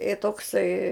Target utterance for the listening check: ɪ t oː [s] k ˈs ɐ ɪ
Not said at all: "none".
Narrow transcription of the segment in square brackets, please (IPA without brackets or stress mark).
none